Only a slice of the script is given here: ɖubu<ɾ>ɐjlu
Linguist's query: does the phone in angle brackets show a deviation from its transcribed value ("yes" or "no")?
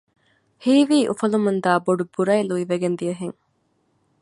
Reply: no